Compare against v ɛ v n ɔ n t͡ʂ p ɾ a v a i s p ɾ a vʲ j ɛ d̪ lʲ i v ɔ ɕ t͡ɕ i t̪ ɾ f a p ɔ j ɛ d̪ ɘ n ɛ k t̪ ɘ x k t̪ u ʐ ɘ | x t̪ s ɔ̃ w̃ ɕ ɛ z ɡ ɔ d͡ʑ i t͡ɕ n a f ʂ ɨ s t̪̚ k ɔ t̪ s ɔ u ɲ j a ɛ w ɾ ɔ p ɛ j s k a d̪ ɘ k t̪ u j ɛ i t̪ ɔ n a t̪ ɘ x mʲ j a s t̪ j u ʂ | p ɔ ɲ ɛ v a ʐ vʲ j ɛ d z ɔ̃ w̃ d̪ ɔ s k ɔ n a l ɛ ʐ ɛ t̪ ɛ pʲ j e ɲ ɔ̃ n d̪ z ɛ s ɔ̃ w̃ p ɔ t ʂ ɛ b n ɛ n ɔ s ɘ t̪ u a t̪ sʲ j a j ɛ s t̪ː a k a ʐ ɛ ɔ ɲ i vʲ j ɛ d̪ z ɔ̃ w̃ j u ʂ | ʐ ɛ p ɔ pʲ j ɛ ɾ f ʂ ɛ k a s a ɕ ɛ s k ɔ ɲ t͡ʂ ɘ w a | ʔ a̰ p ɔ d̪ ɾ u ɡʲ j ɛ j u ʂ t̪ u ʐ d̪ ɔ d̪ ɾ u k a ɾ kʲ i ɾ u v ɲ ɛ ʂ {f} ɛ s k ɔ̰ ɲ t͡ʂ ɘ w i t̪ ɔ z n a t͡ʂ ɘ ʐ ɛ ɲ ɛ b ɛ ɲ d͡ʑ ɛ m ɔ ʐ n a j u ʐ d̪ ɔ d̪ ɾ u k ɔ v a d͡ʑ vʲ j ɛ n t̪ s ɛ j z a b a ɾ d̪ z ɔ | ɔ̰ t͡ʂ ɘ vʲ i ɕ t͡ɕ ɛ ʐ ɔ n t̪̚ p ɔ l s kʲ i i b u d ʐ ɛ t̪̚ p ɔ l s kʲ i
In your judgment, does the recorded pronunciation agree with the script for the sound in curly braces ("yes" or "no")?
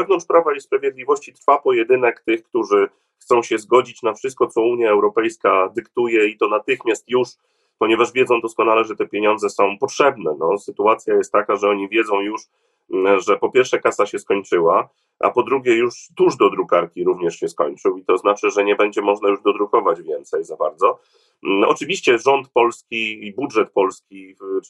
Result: no